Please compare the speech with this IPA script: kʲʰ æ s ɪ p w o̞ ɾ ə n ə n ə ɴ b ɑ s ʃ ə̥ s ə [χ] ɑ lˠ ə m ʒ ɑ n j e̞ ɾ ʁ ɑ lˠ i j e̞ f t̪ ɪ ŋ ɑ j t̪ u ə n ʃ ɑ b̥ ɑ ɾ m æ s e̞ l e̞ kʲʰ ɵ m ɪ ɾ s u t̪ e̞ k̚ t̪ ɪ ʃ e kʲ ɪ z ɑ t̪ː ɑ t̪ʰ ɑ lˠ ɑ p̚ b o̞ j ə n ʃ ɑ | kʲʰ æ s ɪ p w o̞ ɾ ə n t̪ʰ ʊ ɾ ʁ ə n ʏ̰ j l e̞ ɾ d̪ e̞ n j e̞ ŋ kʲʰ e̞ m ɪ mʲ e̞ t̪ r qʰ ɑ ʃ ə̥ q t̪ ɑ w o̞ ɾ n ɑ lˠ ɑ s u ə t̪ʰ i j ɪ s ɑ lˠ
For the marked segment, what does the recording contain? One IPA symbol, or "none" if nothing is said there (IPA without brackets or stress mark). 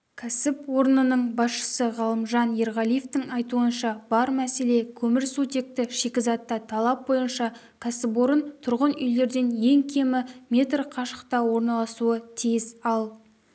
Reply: ʁ